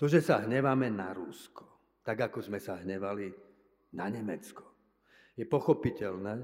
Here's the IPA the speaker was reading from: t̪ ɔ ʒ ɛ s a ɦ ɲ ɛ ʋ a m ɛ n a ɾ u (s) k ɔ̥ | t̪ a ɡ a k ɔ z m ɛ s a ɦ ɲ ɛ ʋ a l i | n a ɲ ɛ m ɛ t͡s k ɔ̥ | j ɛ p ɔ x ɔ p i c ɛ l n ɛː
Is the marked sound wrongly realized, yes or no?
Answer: no